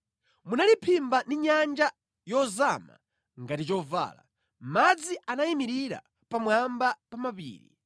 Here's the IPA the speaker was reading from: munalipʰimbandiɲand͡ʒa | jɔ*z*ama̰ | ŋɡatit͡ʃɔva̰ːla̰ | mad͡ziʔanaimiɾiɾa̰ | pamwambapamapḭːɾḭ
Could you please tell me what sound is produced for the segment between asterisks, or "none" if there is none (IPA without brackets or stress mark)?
z